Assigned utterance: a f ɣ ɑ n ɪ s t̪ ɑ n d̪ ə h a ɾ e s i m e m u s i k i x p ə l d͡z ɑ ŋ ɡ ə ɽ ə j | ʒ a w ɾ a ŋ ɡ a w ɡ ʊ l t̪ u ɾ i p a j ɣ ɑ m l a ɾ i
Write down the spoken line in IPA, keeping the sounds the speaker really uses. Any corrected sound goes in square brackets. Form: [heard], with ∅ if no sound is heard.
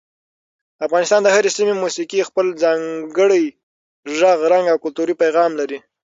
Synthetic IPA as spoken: a f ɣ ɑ n ɪ s t̪ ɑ n d̪ ə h a ɾ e s i m e m u s i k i x p ə l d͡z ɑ ŋ ɡ ə ɽ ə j | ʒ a [ɣ] ɾ a ŋ ɡ a w [k] ʊ l t̪ u ɾ i p a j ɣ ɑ m l a ɾ i